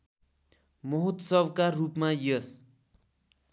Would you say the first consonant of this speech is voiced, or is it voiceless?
voiced